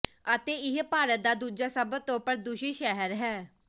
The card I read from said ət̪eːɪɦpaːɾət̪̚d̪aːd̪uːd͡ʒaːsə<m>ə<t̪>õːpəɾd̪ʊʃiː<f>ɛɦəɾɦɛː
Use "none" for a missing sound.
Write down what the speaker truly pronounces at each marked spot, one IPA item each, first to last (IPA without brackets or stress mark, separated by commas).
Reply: b, t̪, ʃ